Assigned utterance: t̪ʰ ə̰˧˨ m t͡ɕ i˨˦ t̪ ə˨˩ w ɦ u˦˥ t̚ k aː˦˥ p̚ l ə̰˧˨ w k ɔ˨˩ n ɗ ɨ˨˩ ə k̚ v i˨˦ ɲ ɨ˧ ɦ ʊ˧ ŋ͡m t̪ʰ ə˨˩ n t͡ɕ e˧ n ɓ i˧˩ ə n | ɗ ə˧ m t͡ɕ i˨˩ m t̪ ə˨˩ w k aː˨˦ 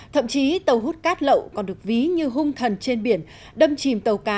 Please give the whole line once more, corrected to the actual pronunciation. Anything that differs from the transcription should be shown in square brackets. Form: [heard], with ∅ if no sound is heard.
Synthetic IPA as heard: t̪ʰ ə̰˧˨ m t͡ɕ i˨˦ t̪ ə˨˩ w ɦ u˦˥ t̚ k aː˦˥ [t̚] l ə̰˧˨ w k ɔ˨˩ n ɗ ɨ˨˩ ə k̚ v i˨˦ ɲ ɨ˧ ɦ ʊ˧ ŋ͡m t̪ʰ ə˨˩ n t͡ɕ e˧ n ɓ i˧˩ ə n | ɗ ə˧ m t͡ɕ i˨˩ m t̪ ə˨˩ w k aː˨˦